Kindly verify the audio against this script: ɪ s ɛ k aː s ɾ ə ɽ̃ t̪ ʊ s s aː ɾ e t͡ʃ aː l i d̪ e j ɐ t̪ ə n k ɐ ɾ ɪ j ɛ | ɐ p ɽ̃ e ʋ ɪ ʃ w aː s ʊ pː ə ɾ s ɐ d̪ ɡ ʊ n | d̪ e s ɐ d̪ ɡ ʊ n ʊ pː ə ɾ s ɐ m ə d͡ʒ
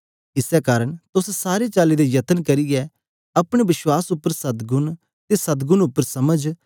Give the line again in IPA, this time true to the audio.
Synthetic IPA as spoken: ɪ s ɛ k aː ɾ ə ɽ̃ t̪ ʊ s s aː ɾ e t͡ʃ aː l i d̪ e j ɐ t̪ ə n k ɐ ɾ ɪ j ɛ | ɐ p ɽ̃ e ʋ ɪ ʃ w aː s ʊ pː ə ɾ s ɐ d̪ ɡ ʊ n | t̪ e s ɐ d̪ ɡ ʊ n ʊ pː ə ɾ s ɐ m ə d͡ʒ